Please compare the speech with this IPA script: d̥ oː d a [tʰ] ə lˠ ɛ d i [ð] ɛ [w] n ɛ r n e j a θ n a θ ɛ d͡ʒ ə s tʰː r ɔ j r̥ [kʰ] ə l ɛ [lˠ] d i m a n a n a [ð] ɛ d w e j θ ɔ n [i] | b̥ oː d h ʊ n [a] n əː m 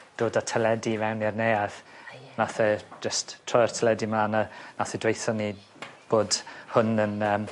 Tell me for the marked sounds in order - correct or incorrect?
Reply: correct, incorrect, correct, incorrect, incorrect, incorrect, correct, incorrect

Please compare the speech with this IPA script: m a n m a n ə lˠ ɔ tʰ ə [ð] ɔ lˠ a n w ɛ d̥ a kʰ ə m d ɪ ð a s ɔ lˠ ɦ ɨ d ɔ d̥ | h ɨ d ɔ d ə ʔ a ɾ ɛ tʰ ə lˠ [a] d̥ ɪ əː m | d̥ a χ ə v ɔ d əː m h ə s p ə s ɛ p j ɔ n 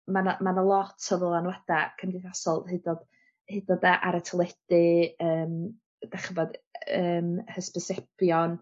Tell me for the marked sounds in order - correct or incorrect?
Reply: incorrect, incorrect

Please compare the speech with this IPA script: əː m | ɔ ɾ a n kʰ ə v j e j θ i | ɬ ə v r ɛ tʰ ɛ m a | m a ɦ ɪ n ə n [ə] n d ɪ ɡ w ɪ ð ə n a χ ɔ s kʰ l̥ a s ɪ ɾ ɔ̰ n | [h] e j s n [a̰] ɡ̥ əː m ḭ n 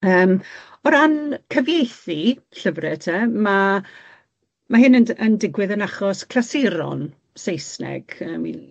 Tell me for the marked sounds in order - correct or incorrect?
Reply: correct, incorrect, incorrect

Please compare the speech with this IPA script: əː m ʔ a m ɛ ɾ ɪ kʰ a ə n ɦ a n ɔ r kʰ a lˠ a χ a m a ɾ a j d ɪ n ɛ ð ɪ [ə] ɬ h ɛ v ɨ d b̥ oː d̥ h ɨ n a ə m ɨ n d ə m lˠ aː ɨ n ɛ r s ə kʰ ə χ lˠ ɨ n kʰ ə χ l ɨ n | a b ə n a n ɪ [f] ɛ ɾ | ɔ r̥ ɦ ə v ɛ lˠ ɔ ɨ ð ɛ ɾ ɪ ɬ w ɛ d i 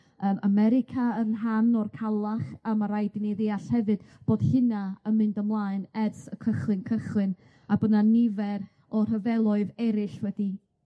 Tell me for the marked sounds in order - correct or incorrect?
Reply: incorrect, incorrect

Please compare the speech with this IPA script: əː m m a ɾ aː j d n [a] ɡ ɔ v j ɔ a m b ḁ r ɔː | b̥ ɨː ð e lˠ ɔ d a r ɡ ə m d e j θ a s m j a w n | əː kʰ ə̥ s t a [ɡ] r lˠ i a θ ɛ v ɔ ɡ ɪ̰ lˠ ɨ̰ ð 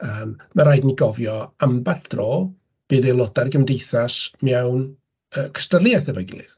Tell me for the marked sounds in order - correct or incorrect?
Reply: incorrect, incorrect

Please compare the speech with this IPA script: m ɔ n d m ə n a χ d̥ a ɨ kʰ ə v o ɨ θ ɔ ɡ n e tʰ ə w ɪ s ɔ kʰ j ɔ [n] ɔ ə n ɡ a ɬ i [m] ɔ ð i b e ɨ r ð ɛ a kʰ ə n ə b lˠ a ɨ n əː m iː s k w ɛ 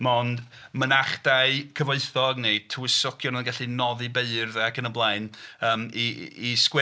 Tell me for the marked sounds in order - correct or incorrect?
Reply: correct, incorrect

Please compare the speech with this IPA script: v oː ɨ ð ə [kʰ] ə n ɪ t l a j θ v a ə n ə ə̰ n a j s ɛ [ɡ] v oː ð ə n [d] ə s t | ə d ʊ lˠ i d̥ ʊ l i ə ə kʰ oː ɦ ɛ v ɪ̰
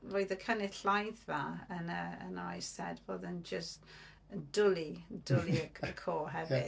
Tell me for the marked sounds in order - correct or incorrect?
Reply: correct, incorrect, incorrect

